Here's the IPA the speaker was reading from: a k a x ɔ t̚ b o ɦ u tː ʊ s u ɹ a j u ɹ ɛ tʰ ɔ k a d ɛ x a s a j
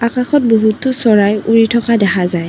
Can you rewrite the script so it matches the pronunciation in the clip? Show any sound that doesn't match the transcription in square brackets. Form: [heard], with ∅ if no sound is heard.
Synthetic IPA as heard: a k a x ɔ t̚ b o ɦ u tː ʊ s [ɔ] ɹ a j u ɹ [i] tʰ ɔ k a d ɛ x a [z] a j